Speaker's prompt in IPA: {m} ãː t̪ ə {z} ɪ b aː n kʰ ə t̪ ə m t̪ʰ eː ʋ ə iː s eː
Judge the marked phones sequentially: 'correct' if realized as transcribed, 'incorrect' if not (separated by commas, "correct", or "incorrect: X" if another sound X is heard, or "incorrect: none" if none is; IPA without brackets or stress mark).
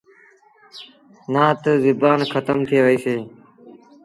incorrect: n, correct